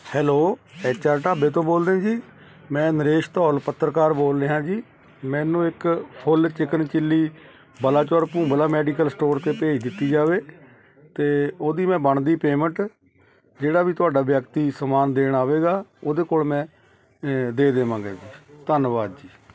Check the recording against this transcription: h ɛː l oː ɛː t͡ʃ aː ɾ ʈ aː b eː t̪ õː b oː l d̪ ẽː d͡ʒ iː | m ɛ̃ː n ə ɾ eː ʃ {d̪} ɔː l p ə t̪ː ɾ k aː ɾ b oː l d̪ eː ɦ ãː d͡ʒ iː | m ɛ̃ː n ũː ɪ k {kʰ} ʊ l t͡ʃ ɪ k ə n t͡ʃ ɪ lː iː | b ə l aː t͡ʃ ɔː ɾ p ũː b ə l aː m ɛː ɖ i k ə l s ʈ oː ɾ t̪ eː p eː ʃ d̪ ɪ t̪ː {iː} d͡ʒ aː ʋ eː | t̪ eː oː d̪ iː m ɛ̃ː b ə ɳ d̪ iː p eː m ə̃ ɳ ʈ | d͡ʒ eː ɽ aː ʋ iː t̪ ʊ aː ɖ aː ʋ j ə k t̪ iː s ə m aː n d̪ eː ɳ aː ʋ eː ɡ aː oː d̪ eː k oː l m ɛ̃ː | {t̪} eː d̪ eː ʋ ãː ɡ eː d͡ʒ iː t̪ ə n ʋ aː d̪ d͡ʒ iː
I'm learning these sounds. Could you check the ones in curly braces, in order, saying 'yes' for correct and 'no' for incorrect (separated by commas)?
no, no, yes, no